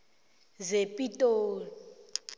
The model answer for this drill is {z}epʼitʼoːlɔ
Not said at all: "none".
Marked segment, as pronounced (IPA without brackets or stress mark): z